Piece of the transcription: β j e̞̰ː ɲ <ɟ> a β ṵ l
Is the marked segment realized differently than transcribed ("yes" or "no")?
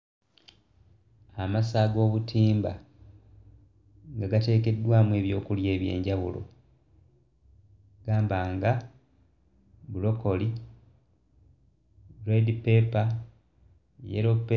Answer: no